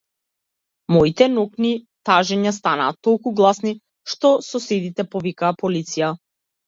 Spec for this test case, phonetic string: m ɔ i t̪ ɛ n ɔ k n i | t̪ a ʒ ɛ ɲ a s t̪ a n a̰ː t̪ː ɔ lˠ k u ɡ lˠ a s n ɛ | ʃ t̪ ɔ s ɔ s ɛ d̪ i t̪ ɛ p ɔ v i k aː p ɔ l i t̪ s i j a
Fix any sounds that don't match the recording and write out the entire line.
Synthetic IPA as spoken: m ɔ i t̪ ɛ n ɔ k n i | t̪ a ʒ ɛ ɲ a s t̪ a n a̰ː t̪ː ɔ lˠ k u ɡ lˠ a s n i | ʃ t̪ ɔ s ɔ s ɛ d̪ i t̪ ɛ p ɔ v i k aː p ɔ l i t̪ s i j a

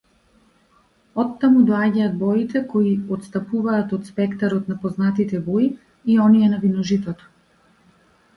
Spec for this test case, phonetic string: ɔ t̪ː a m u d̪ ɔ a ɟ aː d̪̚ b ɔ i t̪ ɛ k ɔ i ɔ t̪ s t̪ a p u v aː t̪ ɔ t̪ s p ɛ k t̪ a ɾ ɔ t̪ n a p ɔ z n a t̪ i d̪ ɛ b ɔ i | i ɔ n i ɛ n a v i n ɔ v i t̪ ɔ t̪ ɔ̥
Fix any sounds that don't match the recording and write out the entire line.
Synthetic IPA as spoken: ɔ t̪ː a m u d̪ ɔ a ɟ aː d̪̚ b ɔ i t̪ ɛ k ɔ i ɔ t̪ s t̪ a p u v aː t̪ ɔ t̪ s p ɛ k t̪ a ɾ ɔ t̪ n a p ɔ z n a t̪ i t̪ ɛ b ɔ i | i ɔ n i ɛ n a v i n ɔ ʒ i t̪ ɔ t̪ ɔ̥

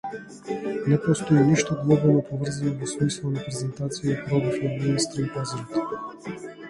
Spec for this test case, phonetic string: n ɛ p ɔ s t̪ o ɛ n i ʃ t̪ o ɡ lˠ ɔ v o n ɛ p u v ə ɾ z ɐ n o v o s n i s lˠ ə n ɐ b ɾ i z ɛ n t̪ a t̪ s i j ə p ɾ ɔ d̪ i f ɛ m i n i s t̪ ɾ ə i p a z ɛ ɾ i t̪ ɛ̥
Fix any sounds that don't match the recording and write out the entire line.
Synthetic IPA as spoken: n ɛ p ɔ s t̪ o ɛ n i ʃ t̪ o ɡ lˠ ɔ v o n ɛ p o v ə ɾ z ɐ n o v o s m i s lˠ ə n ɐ p ɾ ɛ z ɛ n t̪ a t̪ s i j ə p ɾ ɔ d̪ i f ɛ m i n i s t̪ ɾ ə i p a z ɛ ɾ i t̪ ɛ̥

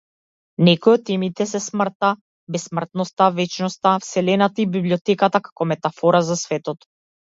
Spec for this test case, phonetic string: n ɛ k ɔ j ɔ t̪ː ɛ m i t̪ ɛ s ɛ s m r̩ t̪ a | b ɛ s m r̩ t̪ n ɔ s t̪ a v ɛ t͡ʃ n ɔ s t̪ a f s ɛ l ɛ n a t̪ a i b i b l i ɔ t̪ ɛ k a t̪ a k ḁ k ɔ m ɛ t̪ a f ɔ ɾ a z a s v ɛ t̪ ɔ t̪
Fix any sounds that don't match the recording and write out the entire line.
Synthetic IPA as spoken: n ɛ k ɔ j ɔ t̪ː ɛ m i t̪ ɛ s ɛ s m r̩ t̪ a | b ɛ s m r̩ t̪ n ɔ s t̪ a v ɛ t͡ʃ n ɔ s t̪ a f s ɛ l ɛ n a t̪ a i b i b l i ɔ t̪ ɛ k a t̪ a k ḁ k ɔ m ɛ t̪ a f ɔ ɾ a z a s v ɛ t̪ ɔ t̪

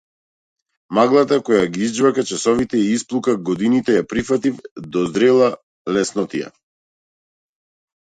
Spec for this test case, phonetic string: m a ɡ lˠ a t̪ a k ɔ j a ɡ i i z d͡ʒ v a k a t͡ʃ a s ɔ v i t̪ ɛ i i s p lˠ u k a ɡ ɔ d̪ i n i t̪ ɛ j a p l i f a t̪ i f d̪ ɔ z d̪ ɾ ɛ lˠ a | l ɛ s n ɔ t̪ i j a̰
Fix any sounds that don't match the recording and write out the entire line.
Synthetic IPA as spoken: m a ɡ lˠ a t̪ a k ɔ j a ɡ i i z d͡ʒ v a k a t͡ʃ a s ɔ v i t̪ ɛ i i s p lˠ u k a ɡ ɔ d̪ i n i t̪ ɛ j a p ɾ i f a t̪ i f d̪ ɔ z d̪ ɾ ɛ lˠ a | l ɛ s n ɔ t̪ i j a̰

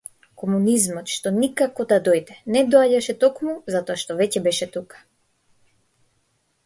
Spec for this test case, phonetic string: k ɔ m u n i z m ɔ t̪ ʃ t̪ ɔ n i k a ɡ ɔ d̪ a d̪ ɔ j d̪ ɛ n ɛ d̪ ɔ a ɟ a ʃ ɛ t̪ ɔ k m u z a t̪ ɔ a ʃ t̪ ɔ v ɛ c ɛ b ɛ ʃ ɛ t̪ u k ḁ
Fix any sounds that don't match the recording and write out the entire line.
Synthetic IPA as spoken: k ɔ m u n i z m ɔ t̪ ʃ t̪ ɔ n i k a k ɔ d̪ a d̪ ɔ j d̪ ɛ n ɛ d̪ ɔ a ɟ a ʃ ɛ t̪ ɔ k m u z a t̪ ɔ a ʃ t̪ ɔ v ɛ c ɛ b ɛ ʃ ɛ t̪ u k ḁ

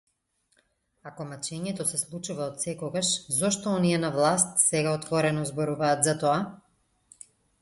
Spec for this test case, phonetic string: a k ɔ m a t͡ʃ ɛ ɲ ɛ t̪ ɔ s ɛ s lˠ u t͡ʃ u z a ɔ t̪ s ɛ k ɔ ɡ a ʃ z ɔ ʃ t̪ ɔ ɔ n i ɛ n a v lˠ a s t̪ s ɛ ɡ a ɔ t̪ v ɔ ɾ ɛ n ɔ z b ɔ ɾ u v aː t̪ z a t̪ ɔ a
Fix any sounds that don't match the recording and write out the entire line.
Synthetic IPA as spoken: a k ɔ m a t͡ʃ ɛ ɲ ɛ t̪ ɔ s ɛ s lˠ u t͡ʃ u v a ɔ t̪ s ɛ k ɔ ɡ a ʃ z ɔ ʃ t̪ ɔ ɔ n i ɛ n a v lˠ a s t̪ s ɛ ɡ a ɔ t̪ v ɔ ɾ ɛ n ɔ z b ɔ ɾ u v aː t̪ z a t̪ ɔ a

